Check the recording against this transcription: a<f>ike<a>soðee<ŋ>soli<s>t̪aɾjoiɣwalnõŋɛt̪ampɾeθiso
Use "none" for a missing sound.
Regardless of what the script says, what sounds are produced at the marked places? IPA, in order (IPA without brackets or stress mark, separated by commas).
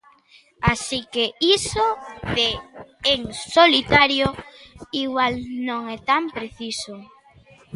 s, i, ŋ, none